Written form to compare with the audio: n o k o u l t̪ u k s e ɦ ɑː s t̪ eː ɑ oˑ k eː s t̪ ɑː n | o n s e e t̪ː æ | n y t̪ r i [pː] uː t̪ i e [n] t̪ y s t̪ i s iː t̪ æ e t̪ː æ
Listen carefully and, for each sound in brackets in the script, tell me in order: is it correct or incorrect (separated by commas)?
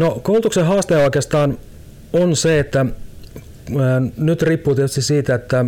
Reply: correct, incorrect